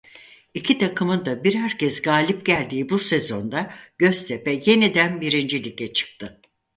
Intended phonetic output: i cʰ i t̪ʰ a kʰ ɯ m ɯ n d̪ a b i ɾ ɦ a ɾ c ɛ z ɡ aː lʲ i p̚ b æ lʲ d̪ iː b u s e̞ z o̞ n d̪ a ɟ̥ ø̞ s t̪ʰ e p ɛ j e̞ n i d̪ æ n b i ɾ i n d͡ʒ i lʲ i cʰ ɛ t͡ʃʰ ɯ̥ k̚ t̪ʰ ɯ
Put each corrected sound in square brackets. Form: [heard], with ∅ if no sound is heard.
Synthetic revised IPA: i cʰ i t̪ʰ a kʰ ɯ m ɯ n d̪ a b i ɾ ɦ [æ] ɾ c ɛ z ɡ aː lʲ i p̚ [ɟ] æ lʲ d̪ iː b u s e̞ z o̞ n d̪ a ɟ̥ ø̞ s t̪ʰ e p ɛ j e̞ n i d̪ æ n b i ɾ i n d͡ʒ i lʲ i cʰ ɛ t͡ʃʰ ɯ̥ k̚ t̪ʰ ɯ